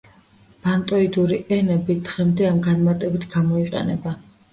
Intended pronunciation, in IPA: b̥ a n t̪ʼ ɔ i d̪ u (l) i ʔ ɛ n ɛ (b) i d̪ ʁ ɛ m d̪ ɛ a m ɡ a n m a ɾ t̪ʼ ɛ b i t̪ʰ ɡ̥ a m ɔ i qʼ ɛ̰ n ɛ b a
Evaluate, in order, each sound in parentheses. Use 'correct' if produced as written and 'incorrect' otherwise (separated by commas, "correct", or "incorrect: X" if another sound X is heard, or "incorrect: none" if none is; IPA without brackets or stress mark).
incorrect: ɾ, correct